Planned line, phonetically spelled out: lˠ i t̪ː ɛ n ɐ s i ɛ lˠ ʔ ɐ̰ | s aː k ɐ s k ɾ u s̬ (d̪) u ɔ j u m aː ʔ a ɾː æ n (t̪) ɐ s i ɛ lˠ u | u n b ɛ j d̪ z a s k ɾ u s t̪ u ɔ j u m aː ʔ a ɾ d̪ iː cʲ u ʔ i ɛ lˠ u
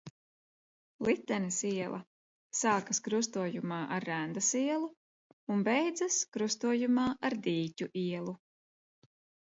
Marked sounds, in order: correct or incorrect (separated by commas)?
incorrect, incorrect